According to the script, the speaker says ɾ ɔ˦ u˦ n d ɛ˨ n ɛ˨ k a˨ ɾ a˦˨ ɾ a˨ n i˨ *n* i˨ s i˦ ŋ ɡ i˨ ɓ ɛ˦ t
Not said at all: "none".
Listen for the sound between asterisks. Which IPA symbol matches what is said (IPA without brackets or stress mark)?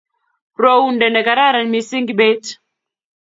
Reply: m